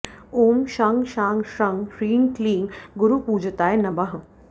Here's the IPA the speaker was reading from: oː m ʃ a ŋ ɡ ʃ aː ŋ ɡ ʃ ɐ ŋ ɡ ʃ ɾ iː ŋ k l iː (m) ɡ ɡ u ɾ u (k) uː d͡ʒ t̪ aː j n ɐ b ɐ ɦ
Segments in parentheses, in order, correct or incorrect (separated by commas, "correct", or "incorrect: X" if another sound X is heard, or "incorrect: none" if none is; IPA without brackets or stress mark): incorrect: ŋ, incorrect: p